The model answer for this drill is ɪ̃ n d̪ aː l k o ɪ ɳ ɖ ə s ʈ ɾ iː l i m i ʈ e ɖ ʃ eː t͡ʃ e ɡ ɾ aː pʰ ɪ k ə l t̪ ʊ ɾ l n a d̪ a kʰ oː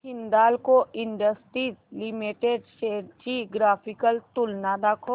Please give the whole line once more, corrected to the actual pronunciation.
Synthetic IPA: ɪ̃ n d̪ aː l k o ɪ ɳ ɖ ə s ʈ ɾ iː l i m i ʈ e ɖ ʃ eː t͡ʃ i ɡ ɾ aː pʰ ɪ k ə l t̪ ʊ l n a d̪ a kʰ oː